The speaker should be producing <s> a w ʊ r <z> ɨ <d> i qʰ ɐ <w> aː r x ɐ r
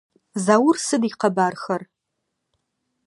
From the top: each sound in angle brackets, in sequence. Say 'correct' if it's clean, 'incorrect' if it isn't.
incorrect, incorrect, correct, incorrect

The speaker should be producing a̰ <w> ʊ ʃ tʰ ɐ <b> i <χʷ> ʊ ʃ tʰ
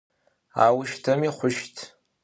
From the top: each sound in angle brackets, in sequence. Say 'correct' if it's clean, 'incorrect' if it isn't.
correct, incorrect, correct

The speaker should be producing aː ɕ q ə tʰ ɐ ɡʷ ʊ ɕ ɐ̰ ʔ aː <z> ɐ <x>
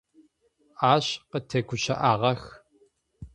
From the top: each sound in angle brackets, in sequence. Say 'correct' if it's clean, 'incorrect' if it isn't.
incorrect, correct

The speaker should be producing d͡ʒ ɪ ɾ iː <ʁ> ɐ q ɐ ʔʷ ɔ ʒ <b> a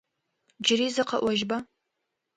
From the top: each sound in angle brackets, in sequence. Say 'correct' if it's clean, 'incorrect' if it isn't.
incorrect, correct

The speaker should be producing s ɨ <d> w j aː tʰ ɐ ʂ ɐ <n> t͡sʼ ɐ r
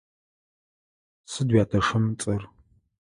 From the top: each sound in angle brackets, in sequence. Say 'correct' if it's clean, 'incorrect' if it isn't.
correct, incorrect

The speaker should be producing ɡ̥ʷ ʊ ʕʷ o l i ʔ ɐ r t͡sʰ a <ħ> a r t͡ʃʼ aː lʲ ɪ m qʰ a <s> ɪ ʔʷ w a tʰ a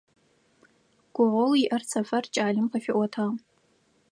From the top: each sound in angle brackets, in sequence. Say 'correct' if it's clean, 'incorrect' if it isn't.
incorrect, incorrect

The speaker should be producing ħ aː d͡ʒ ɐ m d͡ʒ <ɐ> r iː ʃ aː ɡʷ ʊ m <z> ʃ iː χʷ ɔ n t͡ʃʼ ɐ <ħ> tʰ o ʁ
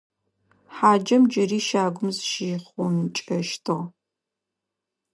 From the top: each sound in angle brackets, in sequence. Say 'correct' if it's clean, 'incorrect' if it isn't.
correct, correct, incorrect

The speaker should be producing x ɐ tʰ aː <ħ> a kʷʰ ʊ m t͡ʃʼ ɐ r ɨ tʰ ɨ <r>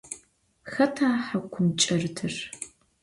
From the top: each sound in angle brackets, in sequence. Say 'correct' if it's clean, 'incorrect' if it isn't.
correct, correct

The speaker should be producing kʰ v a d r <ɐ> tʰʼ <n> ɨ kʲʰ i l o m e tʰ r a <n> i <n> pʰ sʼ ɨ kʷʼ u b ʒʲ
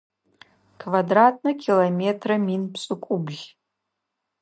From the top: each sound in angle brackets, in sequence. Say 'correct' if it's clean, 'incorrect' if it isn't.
incorrect, correct, incorrect, correct

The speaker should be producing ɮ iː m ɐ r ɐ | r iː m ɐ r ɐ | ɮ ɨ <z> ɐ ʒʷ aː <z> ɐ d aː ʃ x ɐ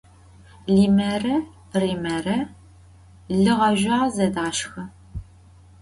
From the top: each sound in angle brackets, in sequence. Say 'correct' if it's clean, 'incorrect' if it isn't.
incorrect, correct

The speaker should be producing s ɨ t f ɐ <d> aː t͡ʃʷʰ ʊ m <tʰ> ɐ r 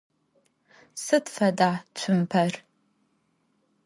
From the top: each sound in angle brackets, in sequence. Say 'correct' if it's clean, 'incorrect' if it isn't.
correct, incorrect

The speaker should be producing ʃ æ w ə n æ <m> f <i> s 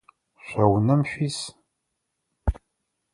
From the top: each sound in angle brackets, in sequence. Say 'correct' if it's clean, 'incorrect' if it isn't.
correct, correct

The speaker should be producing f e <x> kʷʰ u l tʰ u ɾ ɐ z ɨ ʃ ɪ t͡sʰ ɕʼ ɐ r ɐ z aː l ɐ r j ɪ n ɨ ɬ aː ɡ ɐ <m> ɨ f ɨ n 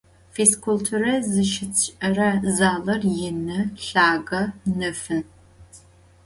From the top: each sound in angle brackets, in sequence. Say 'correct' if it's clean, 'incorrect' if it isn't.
incorrect, incorrect

